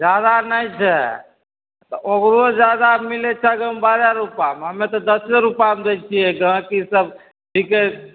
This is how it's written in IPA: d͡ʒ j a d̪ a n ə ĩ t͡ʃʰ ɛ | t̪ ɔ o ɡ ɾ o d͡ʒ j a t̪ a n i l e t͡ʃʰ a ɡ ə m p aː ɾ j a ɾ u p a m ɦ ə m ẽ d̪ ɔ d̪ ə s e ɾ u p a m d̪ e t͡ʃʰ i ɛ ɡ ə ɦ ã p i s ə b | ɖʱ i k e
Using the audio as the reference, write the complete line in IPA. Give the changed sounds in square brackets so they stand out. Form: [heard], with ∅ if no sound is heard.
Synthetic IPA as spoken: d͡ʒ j a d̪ a n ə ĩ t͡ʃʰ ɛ | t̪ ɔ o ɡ ɾ o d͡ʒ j a [d̪] a [m] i l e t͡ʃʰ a ɡ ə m [b] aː ɾ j a ɾ u p a m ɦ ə m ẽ [t̪] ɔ d̪ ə s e ɾ u p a m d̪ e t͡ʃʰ i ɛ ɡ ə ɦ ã [k] i s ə b | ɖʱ i k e